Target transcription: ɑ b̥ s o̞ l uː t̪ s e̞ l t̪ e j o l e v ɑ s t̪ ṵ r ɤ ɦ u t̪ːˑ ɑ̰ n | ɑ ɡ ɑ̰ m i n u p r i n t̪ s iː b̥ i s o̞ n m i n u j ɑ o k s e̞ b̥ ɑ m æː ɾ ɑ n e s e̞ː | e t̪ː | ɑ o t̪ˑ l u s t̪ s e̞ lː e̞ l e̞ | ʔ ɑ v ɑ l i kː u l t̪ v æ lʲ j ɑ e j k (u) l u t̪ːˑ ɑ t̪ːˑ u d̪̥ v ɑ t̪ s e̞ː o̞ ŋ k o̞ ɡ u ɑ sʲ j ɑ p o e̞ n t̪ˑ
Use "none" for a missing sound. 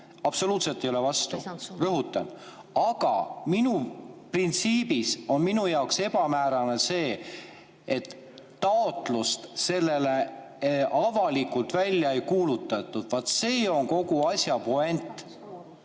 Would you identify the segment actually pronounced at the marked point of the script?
uː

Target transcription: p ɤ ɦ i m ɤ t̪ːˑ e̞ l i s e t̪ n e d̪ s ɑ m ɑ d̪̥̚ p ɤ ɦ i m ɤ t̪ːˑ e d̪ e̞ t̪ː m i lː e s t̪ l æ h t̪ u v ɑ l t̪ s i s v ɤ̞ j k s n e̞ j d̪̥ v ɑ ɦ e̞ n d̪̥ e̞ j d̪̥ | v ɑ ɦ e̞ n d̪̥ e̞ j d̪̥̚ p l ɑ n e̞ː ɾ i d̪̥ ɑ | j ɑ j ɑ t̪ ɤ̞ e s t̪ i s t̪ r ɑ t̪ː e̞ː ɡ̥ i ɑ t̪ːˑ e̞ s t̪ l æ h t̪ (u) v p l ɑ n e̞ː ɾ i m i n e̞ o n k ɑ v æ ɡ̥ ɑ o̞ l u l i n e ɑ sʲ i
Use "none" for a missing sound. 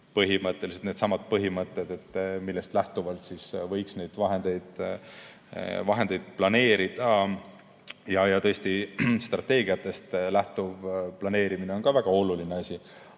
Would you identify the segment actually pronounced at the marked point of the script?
u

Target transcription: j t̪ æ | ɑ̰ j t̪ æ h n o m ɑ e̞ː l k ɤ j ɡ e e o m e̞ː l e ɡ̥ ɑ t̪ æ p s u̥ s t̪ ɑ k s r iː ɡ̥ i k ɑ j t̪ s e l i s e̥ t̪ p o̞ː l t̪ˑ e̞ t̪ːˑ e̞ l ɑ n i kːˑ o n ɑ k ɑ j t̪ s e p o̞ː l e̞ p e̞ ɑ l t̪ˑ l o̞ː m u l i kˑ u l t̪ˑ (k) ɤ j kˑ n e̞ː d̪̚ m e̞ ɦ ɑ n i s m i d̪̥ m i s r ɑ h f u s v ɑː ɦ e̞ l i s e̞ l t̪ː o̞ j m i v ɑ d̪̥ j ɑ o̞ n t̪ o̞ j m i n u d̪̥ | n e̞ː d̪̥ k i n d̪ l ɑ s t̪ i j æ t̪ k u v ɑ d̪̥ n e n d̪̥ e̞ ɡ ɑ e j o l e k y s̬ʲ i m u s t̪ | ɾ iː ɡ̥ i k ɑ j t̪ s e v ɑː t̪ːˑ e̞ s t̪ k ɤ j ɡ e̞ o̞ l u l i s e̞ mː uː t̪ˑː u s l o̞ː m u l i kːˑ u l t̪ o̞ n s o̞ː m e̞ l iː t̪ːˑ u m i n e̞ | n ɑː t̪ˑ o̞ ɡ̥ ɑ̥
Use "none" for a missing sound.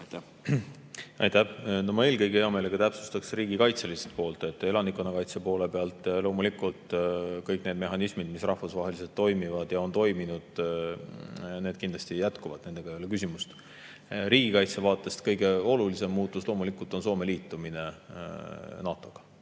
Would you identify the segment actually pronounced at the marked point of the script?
k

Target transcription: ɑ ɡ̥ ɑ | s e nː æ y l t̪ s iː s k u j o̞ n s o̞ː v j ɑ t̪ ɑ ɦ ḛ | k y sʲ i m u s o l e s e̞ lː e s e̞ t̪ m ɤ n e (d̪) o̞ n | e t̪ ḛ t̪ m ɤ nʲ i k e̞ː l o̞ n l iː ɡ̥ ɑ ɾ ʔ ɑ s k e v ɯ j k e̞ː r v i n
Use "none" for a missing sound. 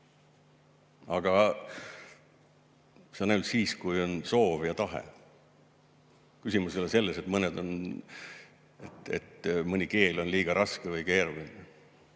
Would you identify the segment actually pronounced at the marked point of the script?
d̪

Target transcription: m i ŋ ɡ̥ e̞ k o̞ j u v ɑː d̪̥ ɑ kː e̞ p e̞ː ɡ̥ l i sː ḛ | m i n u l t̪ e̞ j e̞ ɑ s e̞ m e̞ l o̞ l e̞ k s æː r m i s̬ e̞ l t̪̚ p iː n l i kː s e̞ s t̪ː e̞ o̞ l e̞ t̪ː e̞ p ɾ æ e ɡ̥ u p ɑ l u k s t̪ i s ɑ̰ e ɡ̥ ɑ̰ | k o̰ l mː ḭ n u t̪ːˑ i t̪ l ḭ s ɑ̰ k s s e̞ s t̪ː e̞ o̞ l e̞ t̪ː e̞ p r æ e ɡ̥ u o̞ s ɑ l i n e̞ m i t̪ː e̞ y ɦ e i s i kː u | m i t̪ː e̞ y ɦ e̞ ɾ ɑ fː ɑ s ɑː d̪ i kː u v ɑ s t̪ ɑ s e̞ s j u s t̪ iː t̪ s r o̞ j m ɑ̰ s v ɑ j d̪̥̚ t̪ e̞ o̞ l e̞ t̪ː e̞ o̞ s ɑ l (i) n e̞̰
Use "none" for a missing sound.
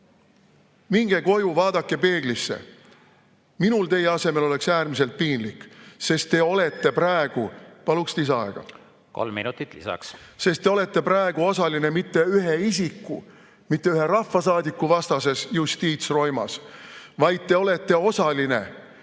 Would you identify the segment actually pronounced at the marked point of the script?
i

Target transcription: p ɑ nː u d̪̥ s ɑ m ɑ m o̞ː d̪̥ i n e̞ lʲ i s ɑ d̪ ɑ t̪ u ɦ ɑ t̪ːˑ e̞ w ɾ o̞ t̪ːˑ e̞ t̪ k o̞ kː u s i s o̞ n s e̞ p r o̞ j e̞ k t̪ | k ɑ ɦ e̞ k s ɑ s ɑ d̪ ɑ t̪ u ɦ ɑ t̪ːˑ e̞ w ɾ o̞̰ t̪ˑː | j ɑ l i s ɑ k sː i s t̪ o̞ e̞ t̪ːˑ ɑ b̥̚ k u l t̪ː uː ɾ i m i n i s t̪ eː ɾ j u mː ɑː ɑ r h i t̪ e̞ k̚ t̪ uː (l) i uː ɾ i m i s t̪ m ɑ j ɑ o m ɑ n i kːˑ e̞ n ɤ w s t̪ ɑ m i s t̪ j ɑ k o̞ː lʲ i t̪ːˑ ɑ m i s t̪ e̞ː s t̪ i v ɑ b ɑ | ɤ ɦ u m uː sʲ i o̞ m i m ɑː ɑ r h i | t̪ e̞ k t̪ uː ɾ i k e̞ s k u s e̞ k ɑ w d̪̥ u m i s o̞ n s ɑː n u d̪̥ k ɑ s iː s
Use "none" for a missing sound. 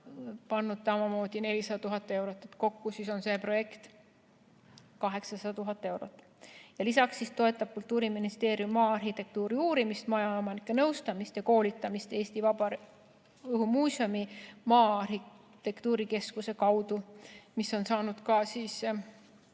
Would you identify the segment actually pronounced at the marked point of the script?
ɾ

